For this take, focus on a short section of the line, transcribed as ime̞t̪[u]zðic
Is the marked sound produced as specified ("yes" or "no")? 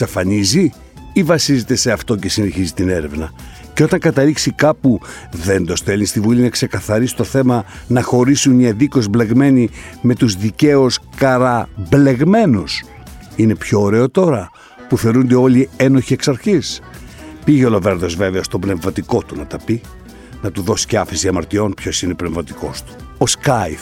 yes